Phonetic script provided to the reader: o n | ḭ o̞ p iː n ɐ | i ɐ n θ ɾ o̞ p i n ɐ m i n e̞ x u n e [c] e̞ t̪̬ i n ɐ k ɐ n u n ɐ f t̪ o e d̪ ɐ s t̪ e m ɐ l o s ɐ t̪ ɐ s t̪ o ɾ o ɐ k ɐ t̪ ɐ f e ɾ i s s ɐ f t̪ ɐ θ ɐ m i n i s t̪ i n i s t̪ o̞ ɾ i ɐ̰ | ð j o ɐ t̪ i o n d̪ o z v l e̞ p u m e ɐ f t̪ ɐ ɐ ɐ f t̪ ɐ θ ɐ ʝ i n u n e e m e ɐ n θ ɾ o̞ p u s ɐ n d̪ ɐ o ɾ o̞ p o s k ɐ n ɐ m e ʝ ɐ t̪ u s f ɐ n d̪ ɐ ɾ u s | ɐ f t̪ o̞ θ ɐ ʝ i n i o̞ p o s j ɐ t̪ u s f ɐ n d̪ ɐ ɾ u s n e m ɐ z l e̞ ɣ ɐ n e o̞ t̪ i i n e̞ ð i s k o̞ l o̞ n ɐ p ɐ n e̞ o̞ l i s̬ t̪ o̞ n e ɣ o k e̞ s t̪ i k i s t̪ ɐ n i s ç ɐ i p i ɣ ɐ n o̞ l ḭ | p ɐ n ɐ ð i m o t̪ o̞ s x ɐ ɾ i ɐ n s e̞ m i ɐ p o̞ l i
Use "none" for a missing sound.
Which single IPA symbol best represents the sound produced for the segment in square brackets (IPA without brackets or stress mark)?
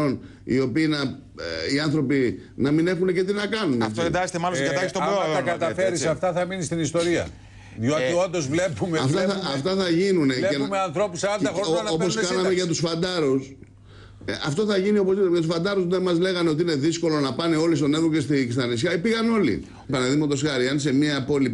c